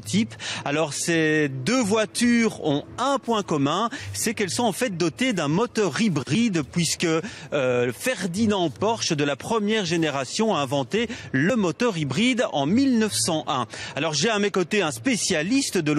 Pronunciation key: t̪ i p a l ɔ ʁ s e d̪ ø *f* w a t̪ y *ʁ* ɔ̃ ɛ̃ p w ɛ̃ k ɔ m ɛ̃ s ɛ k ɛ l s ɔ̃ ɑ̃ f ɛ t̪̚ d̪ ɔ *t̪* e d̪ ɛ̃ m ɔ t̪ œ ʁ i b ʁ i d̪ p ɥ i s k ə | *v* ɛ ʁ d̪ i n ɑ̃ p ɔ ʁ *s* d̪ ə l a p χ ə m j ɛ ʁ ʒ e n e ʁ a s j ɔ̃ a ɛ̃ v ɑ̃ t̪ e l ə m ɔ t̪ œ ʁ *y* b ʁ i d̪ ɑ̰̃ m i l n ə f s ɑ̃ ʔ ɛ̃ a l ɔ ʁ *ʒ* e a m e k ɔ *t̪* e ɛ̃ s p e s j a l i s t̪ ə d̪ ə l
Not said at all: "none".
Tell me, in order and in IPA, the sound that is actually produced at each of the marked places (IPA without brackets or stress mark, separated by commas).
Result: v, ʁ, t̪, f, ʃ, i, ʒ, t̪